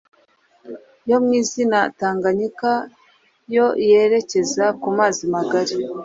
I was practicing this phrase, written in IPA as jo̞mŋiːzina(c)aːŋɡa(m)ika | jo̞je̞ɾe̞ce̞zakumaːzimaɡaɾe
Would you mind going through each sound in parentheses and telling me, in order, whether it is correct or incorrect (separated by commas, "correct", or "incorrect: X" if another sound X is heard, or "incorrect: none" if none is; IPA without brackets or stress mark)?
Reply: incorrect: t, incorrect: ɲ